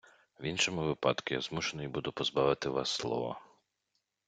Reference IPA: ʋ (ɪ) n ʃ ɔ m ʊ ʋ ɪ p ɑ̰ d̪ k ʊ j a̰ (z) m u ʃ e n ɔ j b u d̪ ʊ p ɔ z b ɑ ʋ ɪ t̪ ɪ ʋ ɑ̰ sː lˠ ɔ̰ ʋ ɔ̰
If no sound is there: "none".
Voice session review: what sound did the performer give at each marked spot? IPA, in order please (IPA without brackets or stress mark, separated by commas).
i, z